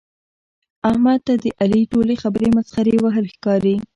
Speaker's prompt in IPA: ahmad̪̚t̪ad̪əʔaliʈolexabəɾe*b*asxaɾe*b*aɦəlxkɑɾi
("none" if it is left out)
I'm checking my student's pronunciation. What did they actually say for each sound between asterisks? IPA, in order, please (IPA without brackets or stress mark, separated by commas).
m, w